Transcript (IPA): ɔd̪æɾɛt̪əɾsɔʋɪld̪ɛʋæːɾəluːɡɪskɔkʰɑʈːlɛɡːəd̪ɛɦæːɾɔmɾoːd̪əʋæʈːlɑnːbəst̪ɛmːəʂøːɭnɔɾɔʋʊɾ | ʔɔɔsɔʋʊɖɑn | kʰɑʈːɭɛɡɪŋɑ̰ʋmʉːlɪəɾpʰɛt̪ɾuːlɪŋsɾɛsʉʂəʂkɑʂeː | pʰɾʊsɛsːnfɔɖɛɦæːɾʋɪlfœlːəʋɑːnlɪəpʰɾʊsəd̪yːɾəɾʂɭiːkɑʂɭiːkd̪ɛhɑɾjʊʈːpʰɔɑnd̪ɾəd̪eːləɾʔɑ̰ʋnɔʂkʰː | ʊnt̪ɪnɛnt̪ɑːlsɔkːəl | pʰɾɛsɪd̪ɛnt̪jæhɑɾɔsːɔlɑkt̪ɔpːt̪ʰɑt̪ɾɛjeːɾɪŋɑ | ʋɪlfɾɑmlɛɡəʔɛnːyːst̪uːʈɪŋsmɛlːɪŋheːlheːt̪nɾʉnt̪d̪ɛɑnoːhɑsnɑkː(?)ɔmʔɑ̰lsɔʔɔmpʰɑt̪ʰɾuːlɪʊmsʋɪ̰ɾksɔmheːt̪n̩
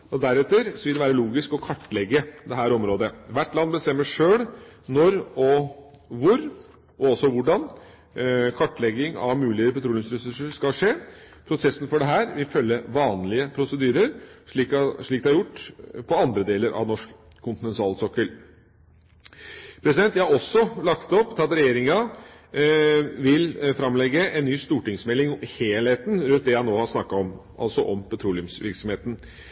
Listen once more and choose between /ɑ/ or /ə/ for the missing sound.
ɑ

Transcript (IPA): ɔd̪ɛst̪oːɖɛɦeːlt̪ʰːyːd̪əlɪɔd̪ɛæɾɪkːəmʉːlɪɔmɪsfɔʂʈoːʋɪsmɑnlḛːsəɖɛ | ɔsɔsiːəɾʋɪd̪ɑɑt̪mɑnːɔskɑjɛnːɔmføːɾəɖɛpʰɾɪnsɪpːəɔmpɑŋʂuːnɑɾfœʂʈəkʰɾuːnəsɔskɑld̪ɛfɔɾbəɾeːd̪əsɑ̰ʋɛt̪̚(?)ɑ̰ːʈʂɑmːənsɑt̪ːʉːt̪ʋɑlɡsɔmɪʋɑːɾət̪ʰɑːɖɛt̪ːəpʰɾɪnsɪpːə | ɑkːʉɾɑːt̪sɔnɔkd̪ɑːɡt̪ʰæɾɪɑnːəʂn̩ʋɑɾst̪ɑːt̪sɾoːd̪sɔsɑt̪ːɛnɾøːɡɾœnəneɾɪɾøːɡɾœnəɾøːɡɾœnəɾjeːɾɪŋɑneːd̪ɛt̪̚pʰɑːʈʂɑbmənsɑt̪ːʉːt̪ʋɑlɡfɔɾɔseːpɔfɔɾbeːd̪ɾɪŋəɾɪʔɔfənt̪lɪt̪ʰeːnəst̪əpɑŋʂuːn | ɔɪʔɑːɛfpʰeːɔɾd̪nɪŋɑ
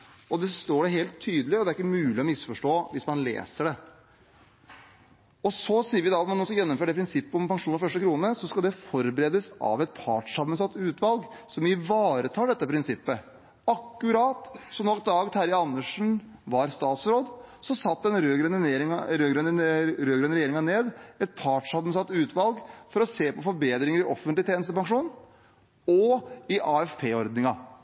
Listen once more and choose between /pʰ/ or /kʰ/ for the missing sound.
pʰ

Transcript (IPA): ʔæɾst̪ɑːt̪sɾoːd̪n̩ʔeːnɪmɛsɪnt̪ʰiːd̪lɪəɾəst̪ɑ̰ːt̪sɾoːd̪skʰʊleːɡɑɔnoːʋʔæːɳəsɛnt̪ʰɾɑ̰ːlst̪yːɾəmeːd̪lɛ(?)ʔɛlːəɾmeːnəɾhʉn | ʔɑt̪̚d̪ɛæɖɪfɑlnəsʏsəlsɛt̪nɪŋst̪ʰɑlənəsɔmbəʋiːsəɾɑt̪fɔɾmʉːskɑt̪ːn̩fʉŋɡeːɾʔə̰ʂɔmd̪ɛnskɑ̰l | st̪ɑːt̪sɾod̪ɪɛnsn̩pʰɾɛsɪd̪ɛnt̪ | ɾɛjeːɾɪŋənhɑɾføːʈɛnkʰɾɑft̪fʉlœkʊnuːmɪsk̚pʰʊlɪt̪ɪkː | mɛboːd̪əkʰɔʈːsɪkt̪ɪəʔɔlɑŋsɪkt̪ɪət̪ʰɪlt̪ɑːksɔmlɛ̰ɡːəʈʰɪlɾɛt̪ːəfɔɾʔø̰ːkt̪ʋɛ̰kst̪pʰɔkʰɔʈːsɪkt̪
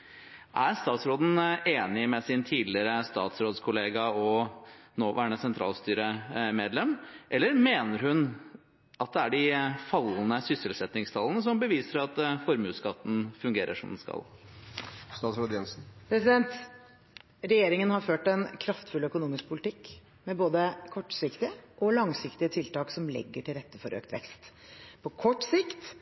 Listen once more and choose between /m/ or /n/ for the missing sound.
m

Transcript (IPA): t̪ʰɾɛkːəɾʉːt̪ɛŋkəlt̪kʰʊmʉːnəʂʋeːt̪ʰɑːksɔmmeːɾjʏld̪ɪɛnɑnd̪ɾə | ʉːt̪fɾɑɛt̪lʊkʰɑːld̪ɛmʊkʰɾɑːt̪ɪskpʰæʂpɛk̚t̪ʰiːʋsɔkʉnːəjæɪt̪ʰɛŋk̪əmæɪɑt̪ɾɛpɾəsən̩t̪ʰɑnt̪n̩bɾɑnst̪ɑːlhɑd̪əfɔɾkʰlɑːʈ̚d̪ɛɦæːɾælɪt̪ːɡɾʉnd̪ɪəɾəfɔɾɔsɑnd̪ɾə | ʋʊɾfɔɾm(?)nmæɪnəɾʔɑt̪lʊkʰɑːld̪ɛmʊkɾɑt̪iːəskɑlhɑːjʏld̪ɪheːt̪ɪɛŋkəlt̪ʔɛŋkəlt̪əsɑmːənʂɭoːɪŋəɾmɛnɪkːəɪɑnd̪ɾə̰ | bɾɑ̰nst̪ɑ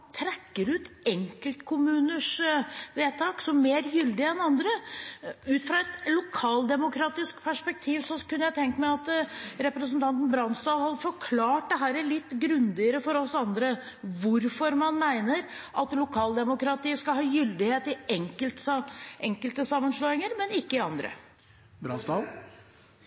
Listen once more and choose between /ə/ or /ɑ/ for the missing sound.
ɑ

